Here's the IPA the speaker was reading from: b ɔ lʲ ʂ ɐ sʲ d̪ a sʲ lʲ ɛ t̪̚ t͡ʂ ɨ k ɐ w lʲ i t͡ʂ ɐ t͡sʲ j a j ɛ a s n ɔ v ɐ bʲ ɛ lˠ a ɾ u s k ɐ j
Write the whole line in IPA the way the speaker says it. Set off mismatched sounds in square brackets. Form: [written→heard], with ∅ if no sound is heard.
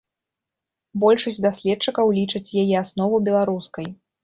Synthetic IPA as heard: b ɔ lʲ ʂ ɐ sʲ d̪ a sʲ lʲ ɛ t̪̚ t͡ʂ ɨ k ɐ w lʲ i t͡ʂ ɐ t͡sʲ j a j ɛ a s n ɔ v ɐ bʲ ɛ lˠ a ɾ u s k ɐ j